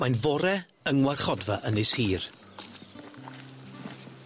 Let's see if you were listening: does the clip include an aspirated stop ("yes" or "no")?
no